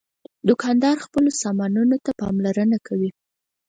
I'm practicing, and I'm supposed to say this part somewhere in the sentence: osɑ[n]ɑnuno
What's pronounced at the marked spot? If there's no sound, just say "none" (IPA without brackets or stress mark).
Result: m